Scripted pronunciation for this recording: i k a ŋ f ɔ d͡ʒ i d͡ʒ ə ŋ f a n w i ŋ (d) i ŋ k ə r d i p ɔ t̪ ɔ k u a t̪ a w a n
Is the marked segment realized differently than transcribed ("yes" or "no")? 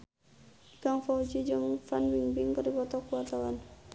yes